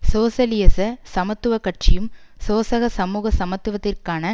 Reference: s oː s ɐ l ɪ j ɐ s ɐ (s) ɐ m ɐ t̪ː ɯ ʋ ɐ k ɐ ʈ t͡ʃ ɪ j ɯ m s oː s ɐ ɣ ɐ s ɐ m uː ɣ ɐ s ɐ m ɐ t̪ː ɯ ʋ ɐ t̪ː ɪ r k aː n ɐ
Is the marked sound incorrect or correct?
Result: correct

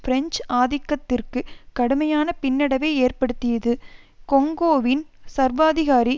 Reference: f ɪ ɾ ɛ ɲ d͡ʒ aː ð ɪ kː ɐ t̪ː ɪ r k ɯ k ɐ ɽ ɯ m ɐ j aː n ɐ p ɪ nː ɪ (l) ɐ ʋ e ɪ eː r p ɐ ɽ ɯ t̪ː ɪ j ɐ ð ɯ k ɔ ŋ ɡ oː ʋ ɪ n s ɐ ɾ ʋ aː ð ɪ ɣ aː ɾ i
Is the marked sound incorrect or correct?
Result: incorrect: ɽ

